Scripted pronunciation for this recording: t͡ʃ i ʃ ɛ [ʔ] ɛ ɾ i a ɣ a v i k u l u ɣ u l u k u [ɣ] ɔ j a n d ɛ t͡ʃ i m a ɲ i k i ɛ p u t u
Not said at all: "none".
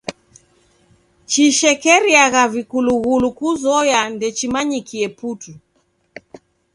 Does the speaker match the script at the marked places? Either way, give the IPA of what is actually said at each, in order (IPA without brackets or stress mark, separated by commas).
k, z